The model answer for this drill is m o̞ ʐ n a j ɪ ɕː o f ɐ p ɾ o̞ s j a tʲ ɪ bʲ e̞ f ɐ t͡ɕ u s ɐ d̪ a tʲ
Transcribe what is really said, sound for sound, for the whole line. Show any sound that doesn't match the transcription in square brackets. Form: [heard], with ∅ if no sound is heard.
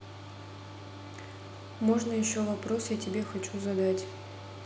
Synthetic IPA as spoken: m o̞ ʐ n [ə] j ɪ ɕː o [v] ɐ p ɾ o̞ s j a tʲ ɪ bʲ e̞ [x] ɐ t͡ɕ u [z] ɐ d̪ a tʲ